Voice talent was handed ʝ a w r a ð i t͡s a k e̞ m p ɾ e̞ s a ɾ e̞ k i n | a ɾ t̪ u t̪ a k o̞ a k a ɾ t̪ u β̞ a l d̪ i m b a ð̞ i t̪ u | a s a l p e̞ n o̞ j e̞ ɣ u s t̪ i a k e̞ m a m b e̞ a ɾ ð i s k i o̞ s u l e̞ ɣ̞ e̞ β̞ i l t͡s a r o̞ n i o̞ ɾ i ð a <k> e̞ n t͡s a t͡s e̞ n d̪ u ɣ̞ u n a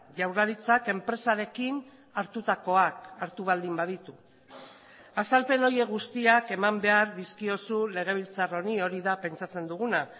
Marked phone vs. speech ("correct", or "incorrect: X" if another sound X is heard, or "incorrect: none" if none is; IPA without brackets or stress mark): incorrect: p